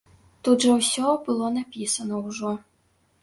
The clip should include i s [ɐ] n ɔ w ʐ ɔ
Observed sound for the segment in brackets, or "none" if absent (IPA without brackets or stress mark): ɐ